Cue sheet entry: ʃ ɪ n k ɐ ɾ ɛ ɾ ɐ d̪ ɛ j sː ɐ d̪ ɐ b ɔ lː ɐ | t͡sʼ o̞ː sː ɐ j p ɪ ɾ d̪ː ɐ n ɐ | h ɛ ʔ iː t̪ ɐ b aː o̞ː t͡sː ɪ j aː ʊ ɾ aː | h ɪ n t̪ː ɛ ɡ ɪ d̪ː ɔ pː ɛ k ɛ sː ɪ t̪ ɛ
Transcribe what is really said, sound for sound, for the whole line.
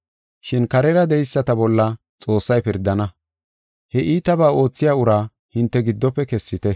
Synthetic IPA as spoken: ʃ ɪ n k ɐ ɾ ɛ ɾ ɐ d̪ ɛ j sː ɐ t̪ ɐ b ɔ lː ɐ | t͡sʼ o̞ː sː ɐ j p ɪ ɾ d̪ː ɐ n ɐ | h ɛ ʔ iː t̪ ɐ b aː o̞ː t͡sː ɪ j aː ʊ ɾ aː | h ɪ n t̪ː ɛ ɡ ɪ d̪ː ɔ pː ɛ k ɛ sː ɪ t̪ ɛ